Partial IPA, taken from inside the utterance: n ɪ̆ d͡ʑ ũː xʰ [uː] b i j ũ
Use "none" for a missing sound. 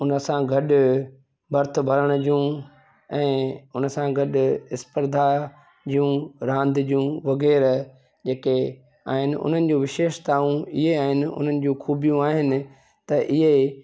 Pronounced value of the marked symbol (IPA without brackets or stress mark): uː